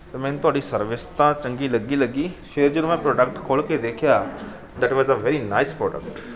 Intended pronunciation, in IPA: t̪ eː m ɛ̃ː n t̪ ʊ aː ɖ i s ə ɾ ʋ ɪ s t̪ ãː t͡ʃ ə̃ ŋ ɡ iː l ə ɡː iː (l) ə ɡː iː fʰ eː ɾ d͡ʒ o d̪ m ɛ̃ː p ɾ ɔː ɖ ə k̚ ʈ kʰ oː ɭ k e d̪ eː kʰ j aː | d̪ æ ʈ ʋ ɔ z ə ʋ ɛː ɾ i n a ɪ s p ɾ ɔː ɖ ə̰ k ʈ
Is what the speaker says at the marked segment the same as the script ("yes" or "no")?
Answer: yes